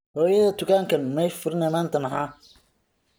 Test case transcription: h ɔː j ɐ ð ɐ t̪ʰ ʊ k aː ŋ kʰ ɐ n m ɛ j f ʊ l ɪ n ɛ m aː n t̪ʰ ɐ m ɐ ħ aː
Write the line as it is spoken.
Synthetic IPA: h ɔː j ɐ ð ɐ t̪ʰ ʊ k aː ŋ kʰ ɐ n m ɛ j f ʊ ɾ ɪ n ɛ m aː n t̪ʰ ɐ m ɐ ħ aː